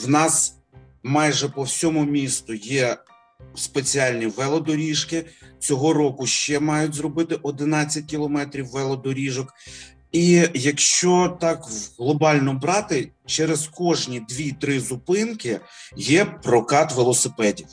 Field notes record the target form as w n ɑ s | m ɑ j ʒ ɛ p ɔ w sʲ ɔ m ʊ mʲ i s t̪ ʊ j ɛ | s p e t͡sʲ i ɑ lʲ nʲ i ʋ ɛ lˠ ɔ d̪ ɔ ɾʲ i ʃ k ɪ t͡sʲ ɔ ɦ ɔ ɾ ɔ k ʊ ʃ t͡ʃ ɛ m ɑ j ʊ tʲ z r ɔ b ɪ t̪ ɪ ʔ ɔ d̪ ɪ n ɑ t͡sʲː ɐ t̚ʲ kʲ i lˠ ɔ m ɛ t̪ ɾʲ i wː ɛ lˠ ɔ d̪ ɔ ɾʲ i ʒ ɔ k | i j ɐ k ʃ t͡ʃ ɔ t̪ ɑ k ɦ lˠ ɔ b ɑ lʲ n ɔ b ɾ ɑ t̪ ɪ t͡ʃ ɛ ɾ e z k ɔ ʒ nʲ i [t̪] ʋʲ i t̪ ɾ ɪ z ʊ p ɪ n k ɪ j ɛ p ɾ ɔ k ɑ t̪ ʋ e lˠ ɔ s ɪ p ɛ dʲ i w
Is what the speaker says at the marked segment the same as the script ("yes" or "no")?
no